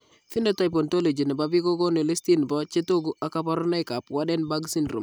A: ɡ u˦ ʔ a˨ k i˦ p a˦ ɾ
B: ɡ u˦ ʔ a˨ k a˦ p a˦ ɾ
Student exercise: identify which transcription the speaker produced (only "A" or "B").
B